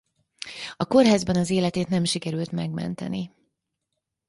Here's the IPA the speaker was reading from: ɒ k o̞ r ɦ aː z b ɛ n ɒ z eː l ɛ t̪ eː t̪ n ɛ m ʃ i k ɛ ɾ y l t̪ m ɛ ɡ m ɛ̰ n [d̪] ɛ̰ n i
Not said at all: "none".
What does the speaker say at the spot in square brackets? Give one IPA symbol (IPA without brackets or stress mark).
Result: t̪